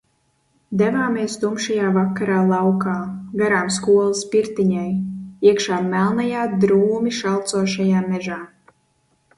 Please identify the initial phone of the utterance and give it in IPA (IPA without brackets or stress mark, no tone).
d̪